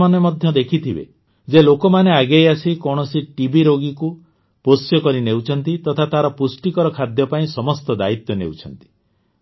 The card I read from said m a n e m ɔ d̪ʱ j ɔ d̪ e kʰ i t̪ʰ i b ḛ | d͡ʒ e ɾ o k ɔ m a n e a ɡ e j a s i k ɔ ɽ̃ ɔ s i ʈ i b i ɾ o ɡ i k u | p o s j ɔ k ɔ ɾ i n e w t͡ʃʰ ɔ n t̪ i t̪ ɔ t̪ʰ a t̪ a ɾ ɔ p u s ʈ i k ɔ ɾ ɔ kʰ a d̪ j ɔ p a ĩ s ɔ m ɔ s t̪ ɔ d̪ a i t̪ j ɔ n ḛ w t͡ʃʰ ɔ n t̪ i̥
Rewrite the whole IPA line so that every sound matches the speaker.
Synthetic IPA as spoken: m a n e m ɔ d̪ʱ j ɔ d̪ e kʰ i t̪ʰ i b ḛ | d͡ʒ e l o k ɔ m a n e a ɡ e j a s i k ɔ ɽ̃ ɔ s i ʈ i b i ɾ o ɡ i k u | p o s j ɔ k ɔ ɾ i n e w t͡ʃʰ ɔ n t̪ i t̪ ɔ t̪ʰ a t̪ a ɾ ɔ p u s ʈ i k ɔ ɾ ɔ kʰ a d̪ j ɔ p a ĩ s ɔ m ɔ s t̪ ɔ d̪ a i t̪ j ɔ n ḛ w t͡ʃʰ ɔ n t̪ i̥

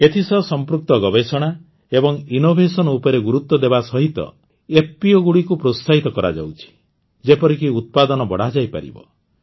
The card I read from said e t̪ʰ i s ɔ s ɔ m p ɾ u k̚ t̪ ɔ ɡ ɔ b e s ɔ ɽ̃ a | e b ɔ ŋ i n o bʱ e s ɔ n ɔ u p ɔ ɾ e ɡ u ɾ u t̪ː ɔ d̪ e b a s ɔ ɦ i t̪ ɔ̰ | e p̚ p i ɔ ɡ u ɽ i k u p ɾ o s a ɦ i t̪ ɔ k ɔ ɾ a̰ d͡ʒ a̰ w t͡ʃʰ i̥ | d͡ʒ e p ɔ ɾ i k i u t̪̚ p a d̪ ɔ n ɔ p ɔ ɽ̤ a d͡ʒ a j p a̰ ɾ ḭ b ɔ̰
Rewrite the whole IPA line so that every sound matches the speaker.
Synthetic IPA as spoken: e t̪ʰ i s ɔ s ɔ m p ɾ u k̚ t̪ ɔ ɡ ɔ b e s ɔ ɽ̃ a | e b ɔ ŋ i n o bʱ e s ɔ n ɔ u p ɔ ɾ e ɡ u ɾ u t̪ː ɔ d̪ e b a s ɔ ɦ i t̪ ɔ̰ | e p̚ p i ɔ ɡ u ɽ i k u p ɾ o s a ɦ i t̪ ɔ k ɔ ɾ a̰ d͡ʒ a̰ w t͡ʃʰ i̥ | d͡ʒ e p ɔ ɾ i k i u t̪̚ p a d̪ ɔ n ɔ b ɔ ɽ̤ a d͡ʒ a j p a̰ ɾ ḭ b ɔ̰

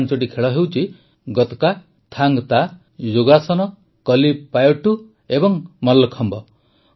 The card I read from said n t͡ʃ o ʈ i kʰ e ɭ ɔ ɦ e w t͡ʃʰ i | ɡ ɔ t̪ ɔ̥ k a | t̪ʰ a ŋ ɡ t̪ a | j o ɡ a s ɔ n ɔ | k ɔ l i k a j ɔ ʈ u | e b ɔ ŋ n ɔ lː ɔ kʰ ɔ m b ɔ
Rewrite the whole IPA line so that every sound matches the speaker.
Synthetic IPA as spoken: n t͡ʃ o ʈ i kʰ e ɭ ɔ ɦ e w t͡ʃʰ i | ɡ ɔ t̪ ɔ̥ k a | t̪ʰ a ŋ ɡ t̪ a | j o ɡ a s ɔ n ɔ | k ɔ l i p a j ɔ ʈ u | e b ɔ ŋ m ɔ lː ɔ kʰ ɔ m b ɔ

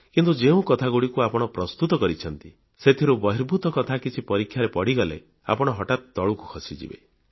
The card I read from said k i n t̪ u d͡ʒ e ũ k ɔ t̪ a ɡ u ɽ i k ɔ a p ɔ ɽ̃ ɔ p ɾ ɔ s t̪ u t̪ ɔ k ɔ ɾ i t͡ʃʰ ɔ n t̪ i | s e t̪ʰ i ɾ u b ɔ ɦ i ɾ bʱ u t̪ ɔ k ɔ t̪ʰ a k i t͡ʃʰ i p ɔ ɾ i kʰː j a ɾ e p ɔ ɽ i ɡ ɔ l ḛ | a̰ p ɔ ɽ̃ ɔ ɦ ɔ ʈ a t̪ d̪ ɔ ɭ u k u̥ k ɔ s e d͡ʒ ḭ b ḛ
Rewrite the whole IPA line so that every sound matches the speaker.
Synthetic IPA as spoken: k i n t̪ u d͡ʒ e ũ k ɔ t̪ʰ a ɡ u ɽ i k u a p ɔ ɽ̃ ɔ p ɾ ɔ s t̪ u t̪ ɔ k ɔ ɾ i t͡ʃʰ ɔ n t̪ i | s e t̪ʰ i ɾ u b ɔ ɦ i ɾ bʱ u t̪ ɔ k ɔ t̪ʰ a k i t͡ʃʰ i p ɔ ɾ i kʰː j a ɾ e p ɔ ɽ i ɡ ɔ l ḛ | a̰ p ɔ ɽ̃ ɔ ɦ ɔ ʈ a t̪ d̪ ɔ ɭ u k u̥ kʰ ɔ s i d͡ʒ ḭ b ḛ

